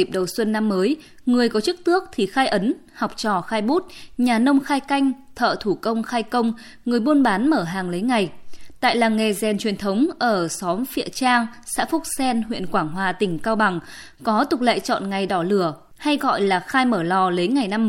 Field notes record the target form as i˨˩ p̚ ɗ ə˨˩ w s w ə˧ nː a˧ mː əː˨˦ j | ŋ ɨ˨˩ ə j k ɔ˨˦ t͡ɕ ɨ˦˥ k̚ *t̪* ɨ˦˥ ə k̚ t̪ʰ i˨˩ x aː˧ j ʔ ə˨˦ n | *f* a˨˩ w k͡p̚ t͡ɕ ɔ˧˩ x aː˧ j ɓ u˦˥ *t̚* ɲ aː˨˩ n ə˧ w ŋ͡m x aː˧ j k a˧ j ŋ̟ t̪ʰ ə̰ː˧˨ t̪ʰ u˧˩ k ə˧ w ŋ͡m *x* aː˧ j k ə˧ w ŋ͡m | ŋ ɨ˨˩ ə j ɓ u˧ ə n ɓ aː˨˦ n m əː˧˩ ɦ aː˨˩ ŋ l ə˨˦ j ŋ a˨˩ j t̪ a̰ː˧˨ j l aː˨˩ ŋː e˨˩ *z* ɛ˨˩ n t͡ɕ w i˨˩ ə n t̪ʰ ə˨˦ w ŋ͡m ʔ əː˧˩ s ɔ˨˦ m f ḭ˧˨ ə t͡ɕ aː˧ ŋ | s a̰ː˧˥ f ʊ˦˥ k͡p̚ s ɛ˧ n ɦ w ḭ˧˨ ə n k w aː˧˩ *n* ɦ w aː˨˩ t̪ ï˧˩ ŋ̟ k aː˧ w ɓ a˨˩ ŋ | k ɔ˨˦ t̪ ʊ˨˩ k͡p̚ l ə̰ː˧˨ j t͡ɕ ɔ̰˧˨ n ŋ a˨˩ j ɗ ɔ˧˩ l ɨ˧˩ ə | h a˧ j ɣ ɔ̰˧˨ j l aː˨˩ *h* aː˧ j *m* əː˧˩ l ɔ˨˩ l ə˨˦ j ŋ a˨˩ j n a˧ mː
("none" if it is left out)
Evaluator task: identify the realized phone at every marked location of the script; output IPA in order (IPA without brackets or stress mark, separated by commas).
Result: t̪, h, t̚, x, z, ŋ, x, m